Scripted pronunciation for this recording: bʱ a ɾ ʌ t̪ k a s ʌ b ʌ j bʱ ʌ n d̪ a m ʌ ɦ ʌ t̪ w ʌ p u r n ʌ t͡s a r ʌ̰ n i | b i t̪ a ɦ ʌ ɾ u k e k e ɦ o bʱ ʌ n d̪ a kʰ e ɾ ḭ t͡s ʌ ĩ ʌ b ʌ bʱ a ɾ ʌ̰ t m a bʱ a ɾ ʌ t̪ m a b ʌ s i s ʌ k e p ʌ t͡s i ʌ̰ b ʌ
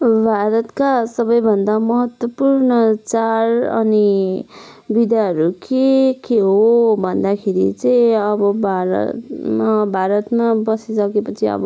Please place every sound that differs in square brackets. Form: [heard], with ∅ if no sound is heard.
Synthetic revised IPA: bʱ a ɾ ʌ t̪ k a s ʌ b ʌ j bʱ ʌ n d̪ a m ʌ ɦ ʌ t̪ w ʌ p u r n ʌ t͡s a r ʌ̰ n i | b i [d̪] a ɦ ʌ ɾ u k e k e ɦ o bʱ ʌ n d̪ a kʰ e ɾ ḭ t͡s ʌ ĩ ʌ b ʌ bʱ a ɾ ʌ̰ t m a bʱ a ɾ ʌ t̪ m a b ʌ s i s ʌ k e p ʌ [t͡sʰ] i ʌ̰ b ʌ